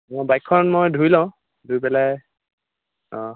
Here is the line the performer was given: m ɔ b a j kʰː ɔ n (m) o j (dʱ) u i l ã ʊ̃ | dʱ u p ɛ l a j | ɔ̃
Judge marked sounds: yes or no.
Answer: yes, yes

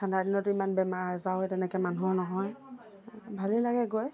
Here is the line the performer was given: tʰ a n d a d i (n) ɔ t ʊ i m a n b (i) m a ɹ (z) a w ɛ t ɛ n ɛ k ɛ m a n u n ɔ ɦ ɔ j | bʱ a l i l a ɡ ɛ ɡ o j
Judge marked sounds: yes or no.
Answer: yes, no, yes

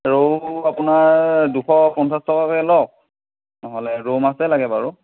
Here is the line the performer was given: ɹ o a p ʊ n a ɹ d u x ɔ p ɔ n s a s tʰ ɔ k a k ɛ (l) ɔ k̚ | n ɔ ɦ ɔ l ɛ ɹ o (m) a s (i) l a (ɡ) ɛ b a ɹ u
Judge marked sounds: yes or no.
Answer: yes, yes, no, yes

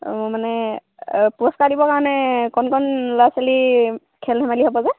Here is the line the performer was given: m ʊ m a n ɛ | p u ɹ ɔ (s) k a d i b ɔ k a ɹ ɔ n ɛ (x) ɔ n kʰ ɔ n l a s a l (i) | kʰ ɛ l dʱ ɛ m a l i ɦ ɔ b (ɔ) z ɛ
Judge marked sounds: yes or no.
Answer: yes, no, yes, yes

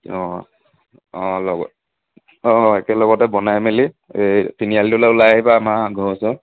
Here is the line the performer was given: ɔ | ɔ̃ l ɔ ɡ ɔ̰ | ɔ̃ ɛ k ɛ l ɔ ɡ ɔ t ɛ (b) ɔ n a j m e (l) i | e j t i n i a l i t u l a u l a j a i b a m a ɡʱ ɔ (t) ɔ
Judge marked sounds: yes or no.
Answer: yes, yes, no

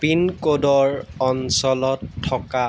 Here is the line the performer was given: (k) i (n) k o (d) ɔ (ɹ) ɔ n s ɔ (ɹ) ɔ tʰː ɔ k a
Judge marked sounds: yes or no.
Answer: no, yes, yes, yes, no

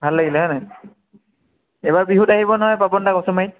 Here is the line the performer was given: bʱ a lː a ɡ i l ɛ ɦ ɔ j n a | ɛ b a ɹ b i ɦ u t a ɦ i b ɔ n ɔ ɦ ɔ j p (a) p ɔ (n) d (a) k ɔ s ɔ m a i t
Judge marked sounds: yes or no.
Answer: yes, yes, yes

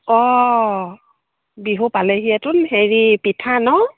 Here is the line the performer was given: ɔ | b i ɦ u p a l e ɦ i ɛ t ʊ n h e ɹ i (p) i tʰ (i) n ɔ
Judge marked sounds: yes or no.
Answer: yes, no

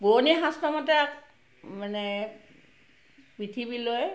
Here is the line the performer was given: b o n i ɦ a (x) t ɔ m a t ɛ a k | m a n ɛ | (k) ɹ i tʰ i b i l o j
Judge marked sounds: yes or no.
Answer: no, no

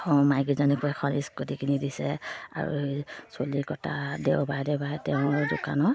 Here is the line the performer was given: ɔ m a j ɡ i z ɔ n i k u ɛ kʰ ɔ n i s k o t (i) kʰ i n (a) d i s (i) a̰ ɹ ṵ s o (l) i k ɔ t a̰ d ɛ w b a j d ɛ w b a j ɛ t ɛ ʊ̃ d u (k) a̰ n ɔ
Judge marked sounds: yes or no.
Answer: yes, no, no, yes, yes

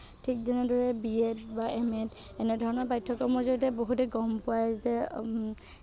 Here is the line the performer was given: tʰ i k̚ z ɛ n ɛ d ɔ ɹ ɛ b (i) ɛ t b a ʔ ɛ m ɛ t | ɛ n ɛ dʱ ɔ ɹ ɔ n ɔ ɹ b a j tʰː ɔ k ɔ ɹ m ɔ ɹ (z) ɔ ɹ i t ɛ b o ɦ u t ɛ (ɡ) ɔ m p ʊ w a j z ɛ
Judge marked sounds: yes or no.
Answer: yes, yes, yes

